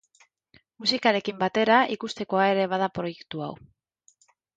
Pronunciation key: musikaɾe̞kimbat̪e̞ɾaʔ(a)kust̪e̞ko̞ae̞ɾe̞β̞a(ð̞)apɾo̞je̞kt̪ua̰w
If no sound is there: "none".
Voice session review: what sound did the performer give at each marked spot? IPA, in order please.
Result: i, ð̞

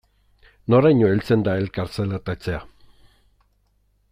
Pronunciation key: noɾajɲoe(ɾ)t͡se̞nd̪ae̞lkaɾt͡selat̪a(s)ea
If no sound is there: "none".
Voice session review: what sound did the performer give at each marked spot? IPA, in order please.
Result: l, t͡s

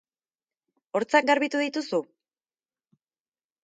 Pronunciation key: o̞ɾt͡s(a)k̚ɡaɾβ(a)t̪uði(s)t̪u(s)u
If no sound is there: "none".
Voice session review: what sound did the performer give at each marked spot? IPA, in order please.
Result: a, i, none, s

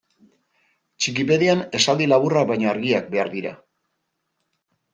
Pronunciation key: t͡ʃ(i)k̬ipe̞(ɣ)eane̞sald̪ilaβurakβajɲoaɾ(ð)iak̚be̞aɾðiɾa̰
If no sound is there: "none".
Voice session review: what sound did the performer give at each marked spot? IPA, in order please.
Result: i, ð, ɣ

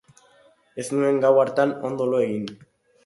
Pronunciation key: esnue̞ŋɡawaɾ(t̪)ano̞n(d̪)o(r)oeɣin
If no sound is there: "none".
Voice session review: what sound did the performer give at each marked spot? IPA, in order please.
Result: t̪, d̪, l

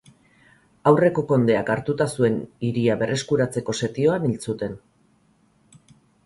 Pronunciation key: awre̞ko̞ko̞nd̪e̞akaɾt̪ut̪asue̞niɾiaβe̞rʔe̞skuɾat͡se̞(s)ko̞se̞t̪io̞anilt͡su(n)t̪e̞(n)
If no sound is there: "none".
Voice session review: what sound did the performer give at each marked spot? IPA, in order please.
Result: none, none, n

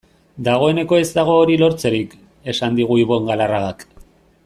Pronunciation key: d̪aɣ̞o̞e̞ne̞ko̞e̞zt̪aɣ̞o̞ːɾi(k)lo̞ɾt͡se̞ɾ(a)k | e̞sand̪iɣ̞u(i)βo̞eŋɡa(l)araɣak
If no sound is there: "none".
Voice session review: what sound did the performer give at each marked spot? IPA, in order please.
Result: none, i, i, l

